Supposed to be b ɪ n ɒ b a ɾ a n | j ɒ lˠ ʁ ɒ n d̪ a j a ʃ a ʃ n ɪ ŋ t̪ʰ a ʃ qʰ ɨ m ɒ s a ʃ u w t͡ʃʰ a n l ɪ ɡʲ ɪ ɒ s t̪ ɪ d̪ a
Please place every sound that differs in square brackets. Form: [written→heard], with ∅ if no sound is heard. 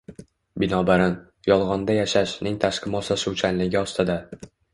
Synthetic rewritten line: b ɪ n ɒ b a ɾ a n | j ɒ lˠ ʁ ɒ n d̪ a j a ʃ a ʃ n ɪ ŋ t̪ʰ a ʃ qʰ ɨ m ɒ s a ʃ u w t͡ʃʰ a n l ɪ ɡʲ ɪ ɒ s t̪ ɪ d̪ a